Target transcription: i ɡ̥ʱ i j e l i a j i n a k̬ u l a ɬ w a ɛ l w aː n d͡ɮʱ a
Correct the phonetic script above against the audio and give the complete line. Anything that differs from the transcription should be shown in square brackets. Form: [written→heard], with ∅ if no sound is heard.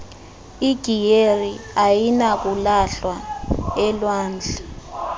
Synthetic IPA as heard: i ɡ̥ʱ i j e [l→r] i a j i n a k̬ u l a ɬ w a ɛ l w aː n d͡ɮʱ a